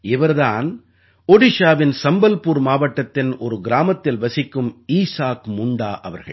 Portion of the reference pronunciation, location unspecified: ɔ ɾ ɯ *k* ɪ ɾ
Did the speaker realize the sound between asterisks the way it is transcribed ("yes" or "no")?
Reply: no